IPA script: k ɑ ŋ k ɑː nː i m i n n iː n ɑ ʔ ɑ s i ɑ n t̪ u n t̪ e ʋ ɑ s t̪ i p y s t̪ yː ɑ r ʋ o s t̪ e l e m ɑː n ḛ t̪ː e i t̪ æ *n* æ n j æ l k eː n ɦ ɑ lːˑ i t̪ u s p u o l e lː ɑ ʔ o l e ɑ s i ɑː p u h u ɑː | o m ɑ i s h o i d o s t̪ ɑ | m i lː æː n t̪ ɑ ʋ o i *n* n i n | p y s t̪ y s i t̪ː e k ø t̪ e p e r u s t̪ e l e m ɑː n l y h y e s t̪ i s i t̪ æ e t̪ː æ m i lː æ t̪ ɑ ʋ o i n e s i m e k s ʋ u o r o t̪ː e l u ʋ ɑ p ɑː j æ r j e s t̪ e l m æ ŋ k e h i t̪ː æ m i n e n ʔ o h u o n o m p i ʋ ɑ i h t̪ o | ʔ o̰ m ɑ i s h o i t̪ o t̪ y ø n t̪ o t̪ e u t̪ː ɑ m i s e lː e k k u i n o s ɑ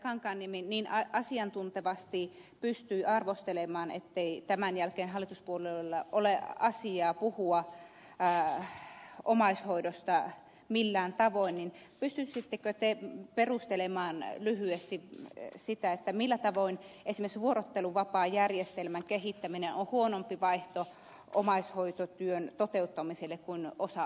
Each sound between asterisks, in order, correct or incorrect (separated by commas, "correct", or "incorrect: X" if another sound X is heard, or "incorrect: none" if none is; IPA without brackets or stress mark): incorrect: m, correct